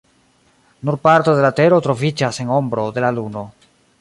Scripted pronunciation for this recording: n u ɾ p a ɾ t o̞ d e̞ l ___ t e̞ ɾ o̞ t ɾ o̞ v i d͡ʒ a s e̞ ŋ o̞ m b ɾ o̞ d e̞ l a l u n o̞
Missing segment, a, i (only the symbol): a